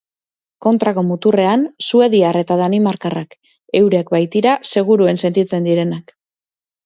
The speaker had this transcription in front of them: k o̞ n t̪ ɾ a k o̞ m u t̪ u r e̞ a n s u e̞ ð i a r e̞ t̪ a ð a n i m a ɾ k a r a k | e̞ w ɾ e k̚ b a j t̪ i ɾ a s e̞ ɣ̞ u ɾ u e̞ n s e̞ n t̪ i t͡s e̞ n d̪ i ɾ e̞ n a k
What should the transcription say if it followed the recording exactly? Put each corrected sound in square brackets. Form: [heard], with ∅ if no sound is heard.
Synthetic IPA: k o̞ n t̪ ɾ a k o̞ m u t̪ u r e̞ a n s u e̞ ð i a r e̞ t̪ a ð a n i m a ɾ k a r a k | e̞ w ɾ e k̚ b a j t̪ i ɾ a s e̞ ɣ̞ u ɾ u e̞ n s e̞ n t̪ i t͡s e̞ n d̪ i ɾ e̞ n a k